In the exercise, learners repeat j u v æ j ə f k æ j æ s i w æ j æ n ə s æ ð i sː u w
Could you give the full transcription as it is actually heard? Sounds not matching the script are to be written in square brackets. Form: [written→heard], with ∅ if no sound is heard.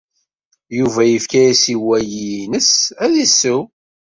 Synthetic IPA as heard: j u v æ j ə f k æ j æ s i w æ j [æ→i] n ə s æ ð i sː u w

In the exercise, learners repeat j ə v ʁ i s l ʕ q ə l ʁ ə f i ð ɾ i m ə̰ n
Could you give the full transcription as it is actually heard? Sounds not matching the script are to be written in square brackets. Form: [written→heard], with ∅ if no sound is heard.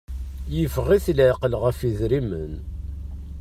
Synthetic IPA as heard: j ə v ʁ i [s→θ] l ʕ q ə l ʁ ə f i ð ɾ i m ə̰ n

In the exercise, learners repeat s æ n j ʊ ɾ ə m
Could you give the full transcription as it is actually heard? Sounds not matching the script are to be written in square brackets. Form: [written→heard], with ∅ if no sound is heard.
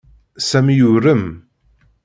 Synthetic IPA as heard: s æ [n→m] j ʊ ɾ ə m

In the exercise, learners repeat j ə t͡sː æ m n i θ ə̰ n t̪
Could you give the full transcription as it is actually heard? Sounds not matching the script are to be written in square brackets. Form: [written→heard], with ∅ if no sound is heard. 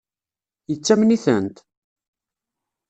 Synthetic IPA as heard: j ə t͡sː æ m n i θ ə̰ n t̪

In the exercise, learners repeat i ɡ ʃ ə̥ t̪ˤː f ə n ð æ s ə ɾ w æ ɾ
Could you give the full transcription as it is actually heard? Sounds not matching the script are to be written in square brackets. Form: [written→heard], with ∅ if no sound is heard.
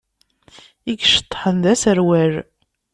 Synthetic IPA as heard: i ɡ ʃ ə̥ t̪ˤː [f→ħ] ə n ð æ s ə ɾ w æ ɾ

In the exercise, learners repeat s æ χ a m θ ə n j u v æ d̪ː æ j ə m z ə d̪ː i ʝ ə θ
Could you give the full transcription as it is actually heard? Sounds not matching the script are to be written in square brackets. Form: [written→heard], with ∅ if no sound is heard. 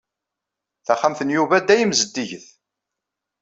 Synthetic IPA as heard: [s→θ] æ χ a m θ ə n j u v æ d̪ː æ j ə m z ə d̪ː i ʝ ə θ

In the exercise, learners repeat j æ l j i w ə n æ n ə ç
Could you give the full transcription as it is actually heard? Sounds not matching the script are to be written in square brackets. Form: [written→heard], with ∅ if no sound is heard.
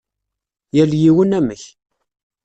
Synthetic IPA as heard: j æ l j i w ə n æ [n→m] ə ç

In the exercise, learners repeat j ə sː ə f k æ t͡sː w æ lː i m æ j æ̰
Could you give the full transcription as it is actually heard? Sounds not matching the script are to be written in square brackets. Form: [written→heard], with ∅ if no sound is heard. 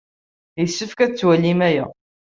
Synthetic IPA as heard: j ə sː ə f k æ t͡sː w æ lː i m æ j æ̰

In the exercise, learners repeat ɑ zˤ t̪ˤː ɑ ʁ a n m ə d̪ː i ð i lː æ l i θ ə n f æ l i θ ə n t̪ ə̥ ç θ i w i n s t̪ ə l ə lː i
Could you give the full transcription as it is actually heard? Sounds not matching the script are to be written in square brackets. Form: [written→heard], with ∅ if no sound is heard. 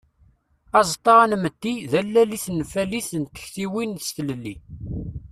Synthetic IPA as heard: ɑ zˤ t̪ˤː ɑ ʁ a n m ə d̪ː i ð [i→æ] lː æ l i θ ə n f æ l i θ ə n t̪ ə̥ ç θ i w i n s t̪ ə l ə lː i

